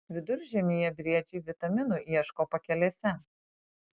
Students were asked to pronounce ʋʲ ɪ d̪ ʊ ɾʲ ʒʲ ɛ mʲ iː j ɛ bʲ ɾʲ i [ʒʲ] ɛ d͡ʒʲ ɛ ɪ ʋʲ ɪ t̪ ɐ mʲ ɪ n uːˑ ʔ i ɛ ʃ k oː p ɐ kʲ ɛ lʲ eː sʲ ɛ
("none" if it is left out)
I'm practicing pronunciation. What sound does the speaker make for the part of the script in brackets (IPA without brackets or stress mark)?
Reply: none